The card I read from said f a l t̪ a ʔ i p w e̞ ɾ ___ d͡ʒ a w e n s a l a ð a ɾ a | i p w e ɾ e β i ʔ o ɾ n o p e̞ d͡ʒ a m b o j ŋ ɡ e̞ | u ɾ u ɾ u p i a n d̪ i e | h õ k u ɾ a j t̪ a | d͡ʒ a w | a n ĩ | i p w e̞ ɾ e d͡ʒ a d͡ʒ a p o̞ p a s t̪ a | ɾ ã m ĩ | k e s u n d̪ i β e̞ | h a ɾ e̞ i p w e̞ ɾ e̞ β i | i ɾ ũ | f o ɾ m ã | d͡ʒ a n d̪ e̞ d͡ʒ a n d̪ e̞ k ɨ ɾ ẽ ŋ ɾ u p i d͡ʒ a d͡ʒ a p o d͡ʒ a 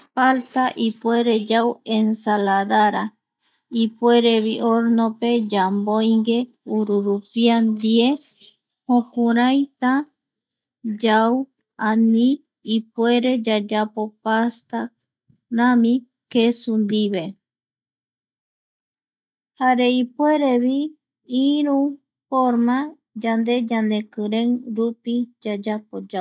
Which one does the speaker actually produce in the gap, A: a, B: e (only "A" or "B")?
B